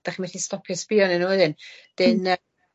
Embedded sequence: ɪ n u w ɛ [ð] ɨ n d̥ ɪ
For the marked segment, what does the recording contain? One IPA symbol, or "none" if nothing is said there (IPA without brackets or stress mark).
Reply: ð